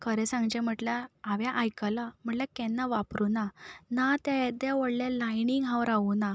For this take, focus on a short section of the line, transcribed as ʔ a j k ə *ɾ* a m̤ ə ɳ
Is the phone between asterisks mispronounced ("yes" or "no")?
yes